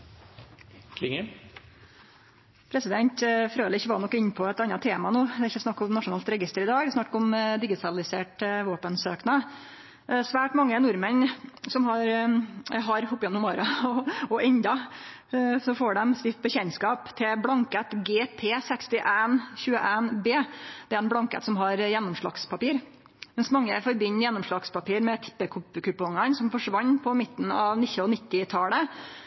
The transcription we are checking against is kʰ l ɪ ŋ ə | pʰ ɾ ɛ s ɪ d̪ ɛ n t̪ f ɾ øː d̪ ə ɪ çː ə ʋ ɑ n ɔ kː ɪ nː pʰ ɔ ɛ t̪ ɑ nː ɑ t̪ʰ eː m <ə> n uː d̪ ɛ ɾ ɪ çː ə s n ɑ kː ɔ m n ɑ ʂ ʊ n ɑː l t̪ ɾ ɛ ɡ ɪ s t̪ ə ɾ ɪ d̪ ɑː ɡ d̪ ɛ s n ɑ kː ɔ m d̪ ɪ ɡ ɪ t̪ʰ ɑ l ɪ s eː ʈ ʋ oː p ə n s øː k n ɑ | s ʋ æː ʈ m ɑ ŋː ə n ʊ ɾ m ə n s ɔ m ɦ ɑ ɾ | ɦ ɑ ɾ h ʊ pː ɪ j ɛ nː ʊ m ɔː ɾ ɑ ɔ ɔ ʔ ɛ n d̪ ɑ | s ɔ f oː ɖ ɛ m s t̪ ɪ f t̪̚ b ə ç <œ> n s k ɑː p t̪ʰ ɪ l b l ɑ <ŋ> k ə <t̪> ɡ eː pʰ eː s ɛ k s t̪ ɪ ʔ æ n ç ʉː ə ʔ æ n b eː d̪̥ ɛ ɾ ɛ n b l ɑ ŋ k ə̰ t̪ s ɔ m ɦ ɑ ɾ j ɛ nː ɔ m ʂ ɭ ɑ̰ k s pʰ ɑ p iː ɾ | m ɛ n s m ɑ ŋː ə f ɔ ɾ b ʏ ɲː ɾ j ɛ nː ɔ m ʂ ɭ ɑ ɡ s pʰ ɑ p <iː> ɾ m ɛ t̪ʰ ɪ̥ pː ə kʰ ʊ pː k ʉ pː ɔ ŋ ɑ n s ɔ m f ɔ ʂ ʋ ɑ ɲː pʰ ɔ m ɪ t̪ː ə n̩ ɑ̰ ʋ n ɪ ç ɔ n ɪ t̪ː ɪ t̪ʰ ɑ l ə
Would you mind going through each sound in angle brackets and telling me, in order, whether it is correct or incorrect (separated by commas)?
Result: incorrect, incorrect, correct, correct, correct